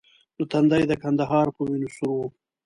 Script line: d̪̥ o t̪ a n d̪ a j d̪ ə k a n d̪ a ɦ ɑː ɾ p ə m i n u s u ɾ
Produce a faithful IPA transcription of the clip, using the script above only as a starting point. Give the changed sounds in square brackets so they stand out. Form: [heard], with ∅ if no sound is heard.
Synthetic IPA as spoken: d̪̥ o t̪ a n d̪ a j d̪ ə k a n d̪ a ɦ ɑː ɾ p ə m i n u s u ɾ